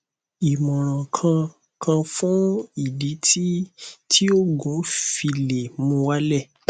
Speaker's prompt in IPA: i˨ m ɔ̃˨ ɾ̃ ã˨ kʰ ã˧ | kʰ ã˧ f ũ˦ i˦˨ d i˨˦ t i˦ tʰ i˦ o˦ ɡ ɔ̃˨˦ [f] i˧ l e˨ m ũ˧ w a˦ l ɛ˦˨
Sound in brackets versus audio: correct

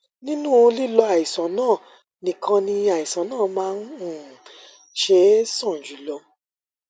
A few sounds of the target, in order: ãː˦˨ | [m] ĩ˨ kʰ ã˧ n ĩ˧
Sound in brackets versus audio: incorrect: n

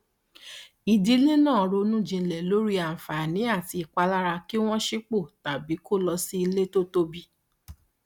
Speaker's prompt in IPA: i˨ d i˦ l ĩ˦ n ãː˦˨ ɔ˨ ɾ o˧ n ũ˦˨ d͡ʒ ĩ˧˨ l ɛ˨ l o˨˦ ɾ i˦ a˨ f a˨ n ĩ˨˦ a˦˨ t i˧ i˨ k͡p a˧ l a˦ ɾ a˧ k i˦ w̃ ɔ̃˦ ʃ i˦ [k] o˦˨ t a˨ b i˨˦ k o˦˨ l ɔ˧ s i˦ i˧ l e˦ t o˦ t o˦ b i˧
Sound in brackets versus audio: incorrect: k͡p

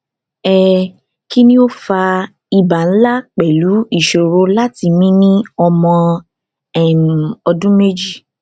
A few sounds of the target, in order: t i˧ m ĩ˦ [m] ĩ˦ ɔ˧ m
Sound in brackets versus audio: incorrect: n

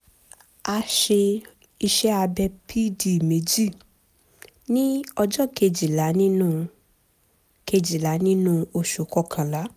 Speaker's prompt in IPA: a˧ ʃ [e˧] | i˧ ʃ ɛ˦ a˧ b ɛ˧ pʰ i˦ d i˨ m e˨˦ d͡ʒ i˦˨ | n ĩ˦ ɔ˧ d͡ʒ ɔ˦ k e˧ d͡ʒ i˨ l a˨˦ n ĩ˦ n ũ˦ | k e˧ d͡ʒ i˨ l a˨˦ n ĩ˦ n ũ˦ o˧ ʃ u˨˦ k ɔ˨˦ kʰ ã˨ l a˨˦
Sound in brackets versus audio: correct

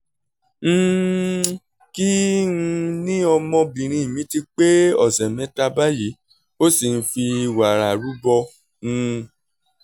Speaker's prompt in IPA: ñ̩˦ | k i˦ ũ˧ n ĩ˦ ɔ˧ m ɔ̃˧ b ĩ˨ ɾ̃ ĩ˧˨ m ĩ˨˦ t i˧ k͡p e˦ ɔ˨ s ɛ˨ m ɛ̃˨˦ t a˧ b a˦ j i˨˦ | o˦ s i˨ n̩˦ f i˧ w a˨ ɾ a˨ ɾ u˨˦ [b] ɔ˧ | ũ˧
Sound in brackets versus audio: correct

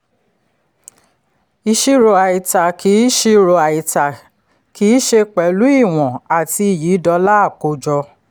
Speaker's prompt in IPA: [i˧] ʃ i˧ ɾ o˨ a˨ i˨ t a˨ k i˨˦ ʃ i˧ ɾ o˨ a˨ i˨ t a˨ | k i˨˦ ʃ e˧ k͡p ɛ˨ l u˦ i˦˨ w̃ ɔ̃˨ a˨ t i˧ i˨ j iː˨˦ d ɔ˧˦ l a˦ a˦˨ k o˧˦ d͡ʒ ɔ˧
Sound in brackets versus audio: correct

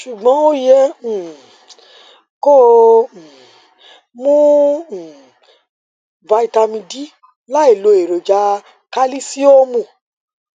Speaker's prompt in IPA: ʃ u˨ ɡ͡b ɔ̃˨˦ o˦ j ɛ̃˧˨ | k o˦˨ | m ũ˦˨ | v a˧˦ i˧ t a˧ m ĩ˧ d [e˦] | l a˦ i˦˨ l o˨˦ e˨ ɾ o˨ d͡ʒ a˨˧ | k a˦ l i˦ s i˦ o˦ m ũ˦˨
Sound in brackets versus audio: incorrect: i˦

